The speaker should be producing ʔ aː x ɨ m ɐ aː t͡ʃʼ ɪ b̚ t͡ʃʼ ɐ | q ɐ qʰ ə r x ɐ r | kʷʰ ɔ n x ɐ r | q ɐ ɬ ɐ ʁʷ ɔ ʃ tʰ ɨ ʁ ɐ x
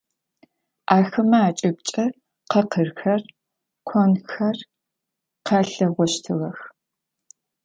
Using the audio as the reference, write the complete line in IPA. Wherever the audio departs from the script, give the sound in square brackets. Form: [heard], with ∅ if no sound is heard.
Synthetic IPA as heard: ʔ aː x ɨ m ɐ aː t͡ʃʼ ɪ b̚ t͡ʃʼ ɐ | q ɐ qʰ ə r x ɐ r | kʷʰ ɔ n x ɐ r | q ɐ ɬ ɐ ʁʷ ɔ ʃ tʰ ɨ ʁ ɐ x